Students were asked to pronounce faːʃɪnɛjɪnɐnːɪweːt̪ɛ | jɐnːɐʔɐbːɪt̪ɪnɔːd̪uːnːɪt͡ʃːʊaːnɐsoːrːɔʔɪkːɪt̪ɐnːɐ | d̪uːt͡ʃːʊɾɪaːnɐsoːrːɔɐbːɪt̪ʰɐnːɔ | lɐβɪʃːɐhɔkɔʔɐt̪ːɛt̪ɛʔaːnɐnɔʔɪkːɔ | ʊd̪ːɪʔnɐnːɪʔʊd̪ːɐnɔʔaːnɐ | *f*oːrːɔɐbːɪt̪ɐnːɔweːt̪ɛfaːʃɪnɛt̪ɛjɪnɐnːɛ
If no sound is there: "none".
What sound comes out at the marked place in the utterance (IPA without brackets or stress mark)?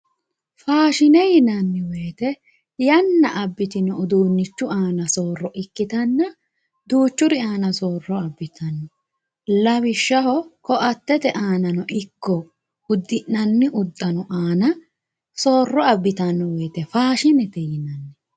s